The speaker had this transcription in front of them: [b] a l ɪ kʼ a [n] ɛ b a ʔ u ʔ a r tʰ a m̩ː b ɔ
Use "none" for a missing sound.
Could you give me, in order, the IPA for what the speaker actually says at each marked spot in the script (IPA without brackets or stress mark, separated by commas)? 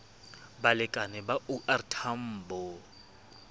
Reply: b, n